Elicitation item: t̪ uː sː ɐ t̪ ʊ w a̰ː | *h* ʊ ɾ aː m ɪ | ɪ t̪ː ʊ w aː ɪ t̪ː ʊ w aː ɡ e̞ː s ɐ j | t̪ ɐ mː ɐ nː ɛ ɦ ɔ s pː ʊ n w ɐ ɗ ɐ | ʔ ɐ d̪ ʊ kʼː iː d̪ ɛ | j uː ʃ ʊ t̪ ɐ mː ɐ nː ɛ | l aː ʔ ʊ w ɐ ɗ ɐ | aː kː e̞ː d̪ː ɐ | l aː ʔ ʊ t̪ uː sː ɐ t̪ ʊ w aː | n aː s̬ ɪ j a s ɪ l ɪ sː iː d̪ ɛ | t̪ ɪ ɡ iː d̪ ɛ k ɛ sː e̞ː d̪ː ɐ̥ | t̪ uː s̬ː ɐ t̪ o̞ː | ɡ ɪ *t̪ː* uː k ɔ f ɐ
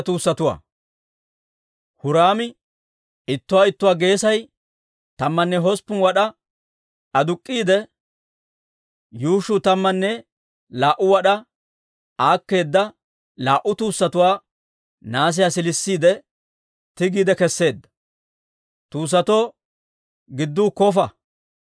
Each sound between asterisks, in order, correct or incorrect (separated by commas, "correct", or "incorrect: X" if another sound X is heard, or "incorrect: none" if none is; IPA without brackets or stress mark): correct, incorrect: d̪ː